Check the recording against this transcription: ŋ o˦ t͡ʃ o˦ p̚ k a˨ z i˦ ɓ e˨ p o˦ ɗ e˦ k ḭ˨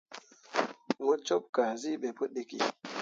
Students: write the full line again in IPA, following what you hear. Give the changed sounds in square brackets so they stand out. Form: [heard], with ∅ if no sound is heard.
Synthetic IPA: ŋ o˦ t͡ʃ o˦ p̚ k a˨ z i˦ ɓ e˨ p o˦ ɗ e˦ k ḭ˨